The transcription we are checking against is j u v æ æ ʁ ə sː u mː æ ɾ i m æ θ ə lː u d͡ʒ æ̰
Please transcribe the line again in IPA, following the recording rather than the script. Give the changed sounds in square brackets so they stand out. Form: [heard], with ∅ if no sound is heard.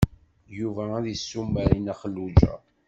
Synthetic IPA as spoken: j u v æ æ [ð] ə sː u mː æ ɾ i [n] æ [χ] ə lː u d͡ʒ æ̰

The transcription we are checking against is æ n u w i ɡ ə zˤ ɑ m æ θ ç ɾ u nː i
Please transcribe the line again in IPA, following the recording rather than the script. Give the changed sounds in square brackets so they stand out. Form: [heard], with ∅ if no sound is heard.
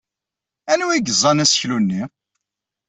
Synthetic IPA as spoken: æ n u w i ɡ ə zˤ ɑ [n] æ [s] ç [l] u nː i

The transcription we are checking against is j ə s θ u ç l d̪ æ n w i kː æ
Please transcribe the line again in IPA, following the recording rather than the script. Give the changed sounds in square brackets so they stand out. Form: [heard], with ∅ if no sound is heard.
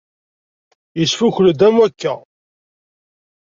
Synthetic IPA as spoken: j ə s [f] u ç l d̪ æ [m] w [æ] kː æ

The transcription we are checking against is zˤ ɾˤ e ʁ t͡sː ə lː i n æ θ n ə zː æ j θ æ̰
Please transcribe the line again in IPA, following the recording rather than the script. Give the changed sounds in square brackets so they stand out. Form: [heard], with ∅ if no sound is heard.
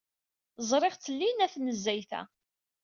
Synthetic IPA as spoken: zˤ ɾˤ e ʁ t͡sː ə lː i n æ θ n ə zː æ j θ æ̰

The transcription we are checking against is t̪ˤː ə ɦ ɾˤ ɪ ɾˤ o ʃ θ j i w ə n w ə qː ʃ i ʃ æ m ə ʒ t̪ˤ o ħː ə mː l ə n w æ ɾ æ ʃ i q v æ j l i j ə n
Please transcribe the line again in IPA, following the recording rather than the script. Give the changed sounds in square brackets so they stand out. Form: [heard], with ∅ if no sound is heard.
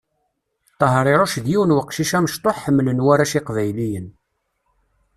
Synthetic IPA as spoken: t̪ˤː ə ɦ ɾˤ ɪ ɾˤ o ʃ [ð] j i w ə n w ə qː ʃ i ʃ æ m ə [ʃ] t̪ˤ o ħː ə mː l ə n w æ ɾ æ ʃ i q v æ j l i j ə n

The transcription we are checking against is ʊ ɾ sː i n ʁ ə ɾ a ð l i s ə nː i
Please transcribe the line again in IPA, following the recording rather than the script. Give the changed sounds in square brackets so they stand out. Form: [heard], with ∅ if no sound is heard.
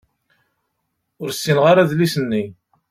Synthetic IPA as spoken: ʊ ɾ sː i n ʁ [a] ɾ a ð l i s ə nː i

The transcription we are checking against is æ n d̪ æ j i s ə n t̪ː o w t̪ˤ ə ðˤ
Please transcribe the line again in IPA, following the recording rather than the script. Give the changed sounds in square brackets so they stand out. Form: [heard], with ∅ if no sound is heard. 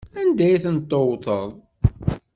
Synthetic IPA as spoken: æ n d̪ æ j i [θ] ə n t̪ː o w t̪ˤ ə ðˤ

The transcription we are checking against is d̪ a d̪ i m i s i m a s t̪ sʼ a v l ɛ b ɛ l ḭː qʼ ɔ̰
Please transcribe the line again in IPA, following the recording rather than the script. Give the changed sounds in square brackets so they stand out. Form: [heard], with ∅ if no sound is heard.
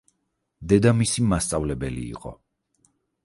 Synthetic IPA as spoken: d̪ [ɛ] d̪ [a] m i s i m a s t̪ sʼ a v l ɛ b ɛ l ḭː qʼ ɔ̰

